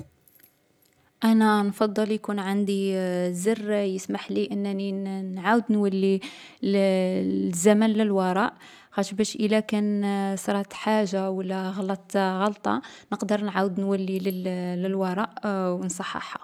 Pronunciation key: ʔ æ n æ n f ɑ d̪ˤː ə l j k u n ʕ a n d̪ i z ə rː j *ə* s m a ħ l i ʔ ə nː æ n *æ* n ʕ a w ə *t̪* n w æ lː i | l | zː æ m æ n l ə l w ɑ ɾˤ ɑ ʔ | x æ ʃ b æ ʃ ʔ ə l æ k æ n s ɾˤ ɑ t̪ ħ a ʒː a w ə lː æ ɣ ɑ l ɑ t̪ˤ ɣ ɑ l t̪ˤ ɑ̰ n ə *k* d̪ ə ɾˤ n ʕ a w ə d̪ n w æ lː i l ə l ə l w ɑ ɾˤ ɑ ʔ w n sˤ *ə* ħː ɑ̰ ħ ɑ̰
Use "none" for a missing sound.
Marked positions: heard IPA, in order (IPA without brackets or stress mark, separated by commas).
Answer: ə, i, d̪, q, ɑ